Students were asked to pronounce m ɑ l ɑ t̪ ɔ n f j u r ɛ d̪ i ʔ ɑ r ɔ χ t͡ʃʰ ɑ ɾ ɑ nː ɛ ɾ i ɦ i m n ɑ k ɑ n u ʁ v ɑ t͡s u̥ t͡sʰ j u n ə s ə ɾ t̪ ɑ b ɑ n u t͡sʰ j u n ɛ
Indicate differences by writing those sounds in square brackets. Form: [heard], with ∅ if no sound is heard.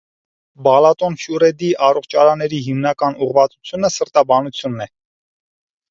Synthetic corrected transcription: [b] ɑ l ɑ t̪ ɔ n f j u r ɛ d̪ i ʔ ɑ r ɔ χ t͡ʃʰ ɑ ɾ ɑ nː ɛ ɾ i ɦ i m n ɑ k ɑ n u ʁ v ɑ t͡s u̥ t͡sʰ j u n ə s ə ɾ t̪ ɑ b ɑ n u t͡sʰ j u [nː] ɛ